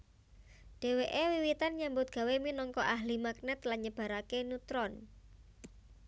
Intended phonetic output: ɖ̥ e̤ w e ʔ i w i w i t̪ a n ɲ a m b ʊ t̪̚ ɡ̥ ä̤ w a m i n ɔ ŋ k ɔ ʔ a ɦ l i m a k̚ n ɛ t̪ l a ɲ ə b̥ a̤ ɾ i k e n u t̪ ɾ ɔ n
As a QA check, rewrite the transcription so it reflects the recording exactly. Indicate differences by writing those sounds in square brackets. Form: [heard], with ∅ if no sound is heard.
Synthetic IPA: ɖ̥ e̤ w e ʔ [e] w i w i t̪ a n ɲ a m b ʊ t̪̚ ɡ̥ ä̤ w [e] m i n ɔ ŋ k ɔ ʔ a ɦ l i m a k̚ n ɛ t̪ l a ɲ ə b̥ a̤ ɾ [a] k e n u t̪ ɾ ɔ n

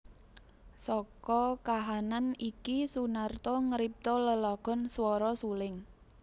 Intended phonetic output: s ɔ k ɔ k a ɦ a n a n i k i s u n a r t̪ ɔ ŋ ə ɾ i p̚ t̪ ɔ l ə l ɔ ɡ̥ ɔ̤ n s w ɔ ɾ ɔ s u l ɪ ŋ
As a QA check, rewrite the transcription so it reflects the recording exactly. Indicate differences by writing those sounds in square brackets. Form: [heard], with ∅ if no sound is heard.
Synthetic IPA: s ɔ k ɔ k a ɦ a n a n i k i s u n a r t̪ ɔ ŋ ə ɾ i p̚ t̪ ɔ l ə l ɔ ɡ̥ ɔ̤ n s w ɔ ɾ ɔ s u l ɪ ŋ

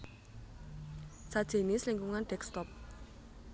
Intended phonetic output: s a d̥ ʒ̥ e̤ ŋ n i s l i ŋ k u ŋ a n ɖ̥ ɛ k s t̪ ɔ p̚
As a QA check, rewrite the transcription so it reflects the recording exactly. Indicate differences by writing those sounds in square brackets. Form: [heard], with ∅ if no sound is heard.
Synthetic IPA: s a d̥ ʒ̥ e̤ [∅] n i s l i ŋ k u ŋ a n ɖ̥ ɛ k s t̪ ɔ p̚

